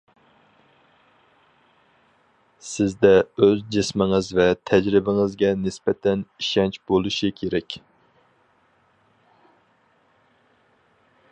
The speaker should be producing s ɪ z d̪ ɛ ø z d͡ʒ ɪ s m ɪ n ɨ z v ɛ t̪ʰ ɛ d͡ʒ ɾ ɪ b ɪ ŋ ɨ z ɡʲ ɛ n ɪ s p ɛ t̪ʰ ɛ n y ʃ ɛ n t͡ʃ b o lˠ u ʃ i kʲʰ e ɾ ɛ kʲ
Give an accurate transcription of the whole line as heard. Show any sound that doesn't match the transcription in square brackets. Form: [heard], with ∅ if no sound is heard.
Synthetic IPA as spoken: s ɪ z d̪ ɛ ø z d͡ʒ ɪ s m ɪ [ŋ] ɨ z v ɛ t̪ʰ ɛ d͡ʒ ɾ ɪ b ɪ ŋ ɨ z ɡʲ ɛ n ɪ s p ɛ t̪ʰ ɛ n [i] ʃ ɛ n t͡ʃ b o lˠ u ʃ i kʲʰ e ɾ ɛ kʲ

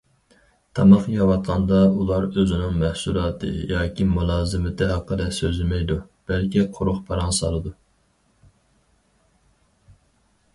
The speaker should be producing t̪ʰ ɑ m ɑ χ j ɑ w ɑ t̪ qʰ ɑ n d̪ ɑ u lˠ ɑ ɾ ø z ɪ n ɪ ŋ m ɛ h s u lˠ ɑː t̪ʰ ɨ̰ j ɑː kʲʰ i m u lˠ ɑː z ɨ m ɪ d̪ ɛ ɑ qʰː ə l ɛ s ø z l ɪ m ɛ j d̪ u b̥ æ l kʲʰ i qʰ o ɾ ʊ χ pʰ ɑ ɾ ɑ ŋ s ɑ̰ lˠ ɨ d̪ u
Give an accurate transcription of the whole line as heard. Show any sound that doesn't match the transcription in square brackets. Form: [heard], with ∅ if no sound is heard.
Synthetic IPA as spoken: t̪ʰ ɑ m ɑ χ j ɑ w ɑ t̪ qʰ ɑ n d̪ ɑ u lˠ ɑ ɾ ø z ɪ n ɪ ŋ m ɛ h s u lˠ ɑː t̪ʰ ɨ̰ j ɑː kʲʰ i m u lˠ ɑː z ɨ m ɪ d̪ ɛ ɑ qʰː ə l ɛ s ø z l ɪ m ɛ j d̪ u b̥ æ l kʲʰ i qʰ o ɾ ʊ χ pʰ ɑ ɾ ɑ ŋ s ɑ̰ lˠ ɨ d̪ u

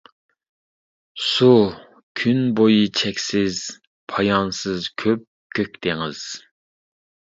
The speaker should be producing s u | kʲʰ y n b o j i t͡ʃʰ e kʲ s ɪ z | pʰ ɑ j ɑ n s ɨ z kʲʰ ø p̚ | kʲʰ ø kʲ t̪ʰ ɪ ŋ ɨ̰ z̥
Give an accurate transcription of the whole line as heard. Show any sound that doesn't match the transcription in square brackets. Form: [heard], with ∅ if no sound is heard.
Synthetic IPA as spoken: s u | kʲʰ y n b o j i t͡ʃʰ [ɛ] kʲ s ɪ z | pʰ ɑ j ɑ n s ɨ z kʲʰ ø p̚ | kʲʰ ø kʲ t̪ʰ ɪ ŋ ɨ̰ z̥

